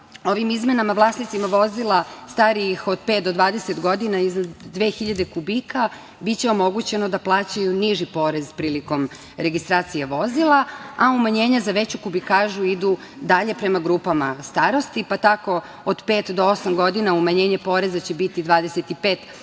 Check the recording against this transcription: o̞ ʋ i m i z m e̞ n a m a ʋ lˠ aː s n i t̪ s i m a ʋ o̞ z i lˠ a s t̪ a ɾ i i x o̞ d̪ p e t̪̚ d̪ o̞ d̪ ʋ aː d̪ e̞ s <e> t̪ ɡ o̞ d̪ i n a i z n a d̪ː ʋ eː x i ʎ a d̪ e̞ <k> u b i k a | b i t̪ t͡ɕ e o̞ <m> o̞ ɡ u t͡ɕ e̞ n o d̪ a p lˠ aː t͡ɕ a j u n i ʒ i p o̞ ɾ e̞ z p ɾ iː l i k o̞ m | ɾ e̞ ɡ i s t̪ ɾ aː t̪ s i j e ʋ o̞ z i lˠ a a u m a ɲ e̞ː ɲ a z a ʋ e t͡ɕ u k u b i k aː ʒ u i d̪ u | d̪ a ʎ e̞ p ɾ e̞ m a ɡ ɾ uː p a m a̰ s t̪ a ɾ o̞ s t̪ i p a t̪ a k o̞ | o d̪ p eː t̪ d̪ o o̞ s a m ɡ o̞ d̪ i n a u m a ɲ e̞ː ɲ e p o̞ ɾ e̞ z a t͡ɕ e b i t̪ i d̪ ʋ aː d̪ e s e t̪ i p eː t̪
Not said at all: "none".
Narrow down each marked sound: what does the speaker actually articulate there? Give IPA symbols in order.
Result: e, k, m

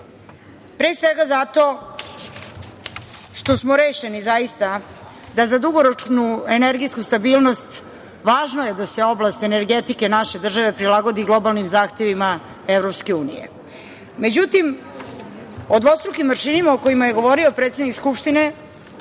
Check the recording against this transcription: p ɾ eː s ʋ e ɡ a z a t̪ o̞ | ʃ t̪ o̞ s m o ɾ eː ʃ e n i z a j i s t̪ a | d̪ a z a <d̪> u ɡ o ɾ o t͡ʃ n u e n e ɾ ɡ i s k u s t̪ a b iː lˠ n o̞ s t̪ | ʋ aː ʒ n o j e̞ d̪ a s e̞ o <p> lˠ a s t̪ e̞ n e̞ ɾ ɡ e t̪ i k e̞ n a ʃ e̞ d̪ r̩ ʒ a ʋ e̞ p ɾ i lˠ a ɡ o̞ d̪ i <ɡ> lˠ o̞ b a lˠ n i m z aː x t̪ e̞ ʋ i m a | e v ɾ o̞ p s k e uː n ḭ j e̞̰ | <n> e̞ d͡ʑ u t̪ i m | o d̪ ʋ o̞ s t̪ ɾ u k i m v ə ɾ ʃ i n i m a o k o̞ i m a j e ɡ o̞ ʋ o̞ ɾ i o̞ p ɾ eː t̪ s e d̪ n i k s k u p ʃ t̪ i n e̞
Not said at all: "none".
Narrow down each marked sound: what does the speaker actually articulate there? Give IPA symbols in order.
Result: d̪, b, ɡ, m

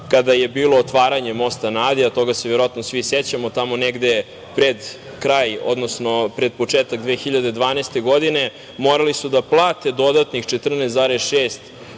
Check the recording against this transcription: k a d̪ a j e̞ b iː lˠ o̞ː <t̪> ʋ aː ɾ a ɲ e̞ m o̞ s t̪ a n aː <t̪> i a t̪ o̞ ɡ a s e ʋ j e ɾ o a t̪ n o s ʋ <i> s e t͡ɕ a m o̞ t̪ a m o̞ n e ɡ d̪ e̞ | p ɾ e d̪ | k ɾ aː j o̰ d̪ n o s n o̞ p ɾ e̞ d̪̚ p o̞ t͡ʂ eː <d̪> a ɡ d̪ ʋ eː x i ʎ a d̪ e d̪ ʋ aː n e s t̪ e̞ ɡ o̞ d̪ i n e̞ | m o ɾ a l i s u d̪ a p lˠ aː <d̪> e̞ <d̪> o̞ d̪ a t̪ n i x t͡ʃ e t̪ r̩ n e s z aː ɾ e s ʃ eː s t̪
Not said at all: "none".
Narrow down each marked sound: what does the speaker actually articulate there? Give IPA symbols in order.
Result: t̪, d̪, i, t̪, t̪, d̪

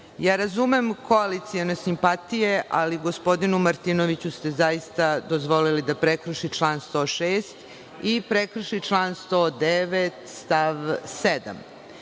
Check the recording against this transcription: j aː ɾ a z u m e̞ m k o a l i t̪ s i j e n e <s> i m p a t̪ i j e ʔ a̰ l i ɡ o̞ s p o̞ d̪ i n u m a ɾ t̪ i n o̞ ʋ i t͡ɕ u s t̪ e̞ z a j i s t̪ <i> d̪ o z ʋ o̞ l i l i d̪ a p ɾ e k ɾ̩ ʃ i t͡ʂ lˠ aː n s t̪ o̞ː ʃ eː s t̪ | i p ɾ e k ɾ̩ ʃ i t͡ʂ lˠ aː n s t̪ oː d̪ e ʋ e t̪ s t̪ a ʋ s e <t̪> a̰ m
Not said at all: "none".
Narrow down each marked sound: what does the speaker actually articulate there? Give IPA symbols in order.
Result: s, a, d̪

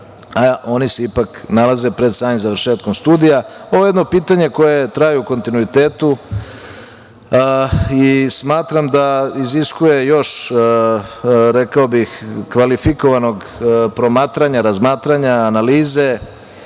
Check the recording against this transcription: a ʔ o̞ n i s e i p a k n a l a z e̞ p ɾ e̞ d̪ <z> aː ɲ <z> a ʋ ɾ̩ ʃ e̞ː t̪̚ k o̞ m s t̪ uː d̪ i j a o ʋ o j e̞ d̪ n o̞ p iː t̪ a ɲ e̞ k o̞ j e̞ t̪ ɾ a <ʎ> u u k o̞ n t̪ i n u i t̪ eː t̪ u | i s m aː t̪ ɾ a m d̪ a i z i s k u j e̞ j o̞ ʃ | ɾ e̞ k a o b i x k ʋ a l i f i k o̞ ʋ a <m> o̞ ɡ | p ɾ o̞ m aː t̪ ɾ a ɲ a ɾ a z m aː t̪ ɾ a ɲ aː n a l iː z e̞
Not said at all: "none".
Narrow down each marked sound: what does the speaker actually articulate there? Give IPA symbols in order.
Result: s, z, j, n

